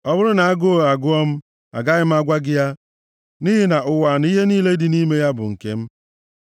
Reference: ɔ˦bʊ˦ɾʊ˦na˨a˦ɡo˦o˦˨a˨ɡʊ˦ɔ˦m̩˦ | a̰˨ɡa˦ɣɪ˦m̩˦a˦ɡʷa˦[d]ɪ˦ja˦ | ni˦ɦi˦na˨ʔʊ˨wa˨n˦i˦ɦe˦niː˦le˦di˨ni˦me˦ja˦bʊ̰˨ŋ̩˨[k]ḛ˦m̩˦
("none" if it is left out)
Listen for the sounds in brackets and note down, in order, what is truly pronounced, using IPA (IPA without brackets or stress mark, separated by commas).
ɡ, k